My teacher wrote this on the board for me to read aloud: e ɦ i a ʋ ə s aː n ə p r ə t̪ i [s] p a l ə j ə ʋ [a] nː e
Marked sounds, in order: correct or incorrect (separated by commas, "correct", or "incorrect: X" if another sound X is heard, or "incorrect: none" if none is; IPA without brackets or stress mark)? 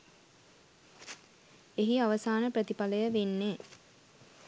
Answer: incorrect: none, incorrect: e